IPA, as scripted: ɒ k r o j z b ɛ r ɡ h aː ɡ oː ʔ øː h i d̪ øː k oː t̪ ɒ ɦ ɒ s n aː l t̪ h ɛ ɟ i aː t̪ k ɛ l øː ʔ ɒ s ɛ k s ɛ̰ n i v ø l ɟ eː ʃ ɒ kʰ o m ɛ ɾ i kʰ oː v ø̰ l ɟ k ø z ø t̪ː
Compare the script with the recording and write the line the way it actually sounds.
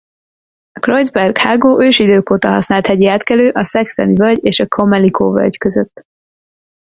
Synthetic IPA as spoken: ɒ k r o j z b ɛ r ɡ h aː ɡ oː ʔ øː ʃ i d̪ øː k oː t̪ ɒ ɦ ɒ s n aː l t̪ h ɛ ɟ i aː t̪ k ɛ l øː ʔ ɒ s ɛ k s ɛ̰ n i v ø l ɟ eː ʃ ɒ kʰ o m ɛ l i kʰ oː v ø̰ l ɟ k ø z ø t̪ː